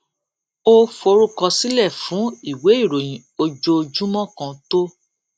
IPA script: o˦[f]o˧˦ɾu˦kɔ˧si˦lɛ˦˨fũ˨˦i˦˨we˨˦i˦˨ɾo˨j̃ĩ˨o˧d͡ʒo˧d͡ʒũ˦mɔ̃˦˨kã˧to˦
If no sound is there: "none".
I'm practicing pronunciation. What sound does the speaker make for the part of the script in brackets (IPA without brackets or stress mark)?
f